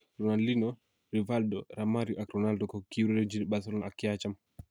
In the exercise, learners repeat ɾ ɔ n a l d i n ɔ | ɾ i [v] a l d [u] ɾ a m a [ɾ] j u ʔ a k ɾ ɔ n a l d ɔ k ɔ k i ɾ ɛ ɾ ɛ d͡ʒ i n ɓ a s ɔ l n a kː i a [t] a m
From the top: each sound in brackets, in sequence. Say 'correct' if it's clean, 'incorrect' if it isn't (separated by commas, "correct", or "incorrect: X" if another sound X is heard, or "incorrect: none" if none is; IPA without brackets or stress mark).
correct, incorrect: ɔ, correct, incorrect: t͡ʃ